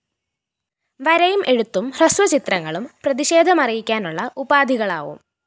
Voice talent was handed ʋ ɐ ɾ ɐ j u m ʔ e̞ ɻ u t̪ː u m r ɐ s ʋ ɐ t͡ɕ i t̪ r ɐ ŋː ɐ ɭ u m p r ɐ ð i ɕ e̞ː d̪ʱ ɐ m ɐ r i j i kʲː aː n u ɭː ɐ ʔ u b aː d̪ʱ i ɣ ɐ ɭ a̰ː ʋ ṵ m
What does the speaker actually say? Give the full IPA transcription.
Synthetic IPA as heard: ʋ ɐ ɾ ɐ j u m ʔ e̞ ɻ u t̪ː u m r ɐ s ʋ ɐ t͡ɕ i t̪ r ɐ ŋː ɐ ɭ u m p r ɐ ð i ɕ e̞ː d̪ʱ ɐ m ɐ r i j i kʲː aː n u ɭː ɐ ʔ u b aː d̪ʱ i ɣ ɐ ɭ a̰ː ʋ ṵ m